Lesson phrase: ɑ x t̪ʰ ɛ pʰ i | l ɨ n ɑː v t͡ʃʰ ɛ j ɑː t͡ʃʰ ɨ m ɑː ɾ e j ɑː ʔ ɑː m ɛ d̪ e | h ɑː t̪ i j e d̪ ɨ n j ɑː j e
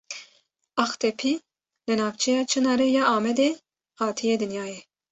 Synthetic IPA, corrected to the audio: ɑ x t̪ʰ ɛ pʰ i | l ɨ n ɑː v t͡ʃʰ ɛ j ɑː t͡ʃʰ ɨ n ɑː ɾ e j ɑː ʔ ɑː m ɛ d̪ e | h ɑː t̪ʰ i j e d̪ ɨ n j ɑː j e